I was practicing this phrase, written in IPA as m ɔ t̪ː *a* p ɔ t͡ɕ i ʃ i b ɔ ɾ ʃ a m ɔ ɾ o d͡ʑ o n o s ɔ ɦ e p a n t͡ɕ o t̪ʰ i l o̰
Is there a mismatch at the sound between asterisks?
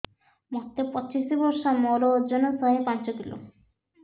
yes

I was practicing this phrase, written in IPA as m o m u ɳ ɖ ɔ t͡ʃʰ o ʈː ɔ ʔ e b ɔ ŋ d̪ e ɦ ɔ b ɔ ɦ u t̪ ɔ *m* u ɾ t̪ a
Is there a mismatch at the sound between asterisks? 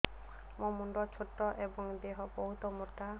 no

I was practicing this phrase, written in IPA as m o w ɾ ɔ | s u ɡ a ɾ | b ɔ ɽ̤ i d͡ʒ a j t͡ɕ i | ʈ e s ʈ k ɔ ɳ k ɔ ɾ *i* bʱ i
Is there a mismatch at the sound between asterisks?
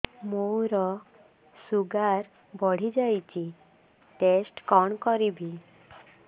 no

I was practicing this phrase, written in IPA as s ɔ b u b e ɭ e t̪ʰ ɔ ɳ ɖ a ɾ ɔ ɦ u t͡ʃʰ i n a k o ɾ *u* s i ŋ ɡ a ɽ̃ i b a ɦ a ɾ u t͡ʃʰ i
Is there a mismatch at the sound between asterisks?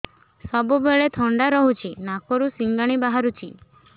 no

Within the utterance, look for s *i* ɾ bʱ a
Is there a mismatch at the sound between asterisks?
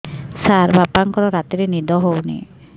yes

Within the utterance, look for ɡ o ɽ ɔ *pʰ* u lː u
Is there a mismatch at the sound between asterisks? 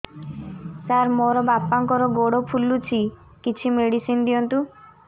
no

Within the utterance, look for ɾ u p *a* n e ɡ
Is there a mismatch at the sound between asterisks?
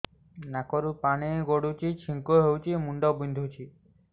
no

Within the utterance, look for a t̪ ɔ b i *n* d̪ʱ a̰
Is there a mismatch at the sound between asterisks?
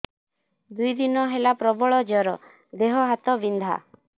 no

